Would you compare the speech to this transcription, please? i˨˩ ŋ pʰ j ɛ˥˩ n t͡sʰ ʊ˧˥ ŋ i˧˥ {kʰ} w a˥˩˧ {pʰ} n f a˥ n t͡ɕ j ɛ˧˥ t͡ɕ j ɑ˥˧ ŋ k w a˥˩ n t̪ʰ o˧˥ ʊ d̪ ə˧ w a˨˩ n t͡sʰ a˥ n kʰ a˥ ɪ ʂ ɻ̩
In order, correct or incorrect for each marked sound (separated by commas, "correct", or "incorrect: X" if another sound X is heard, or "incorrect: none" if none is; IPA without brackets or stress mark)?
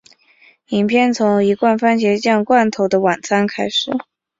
incorrect: k, incorrect: none